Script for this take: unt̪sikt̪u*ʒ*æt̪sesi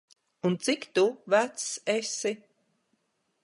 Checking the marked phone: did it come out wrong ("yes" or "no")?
yes